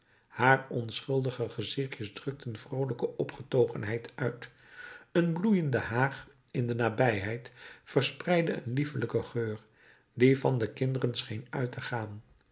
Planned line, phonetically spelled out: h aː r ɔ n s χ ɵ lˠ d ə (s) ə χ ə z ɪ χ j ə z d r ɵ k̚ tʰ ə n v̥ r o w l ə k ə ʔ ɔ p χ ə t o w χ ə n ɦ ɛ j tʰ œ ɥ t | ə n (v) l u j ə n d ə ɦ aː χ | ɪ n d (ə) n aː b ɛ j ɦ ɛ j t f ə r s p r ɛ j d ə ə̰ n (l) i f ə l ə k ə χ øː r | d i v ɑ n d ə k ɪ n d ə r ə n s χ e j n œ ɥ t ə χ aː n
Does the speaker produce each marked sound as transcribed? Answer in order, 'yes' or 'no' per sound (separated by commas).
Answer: no, no, yes, yes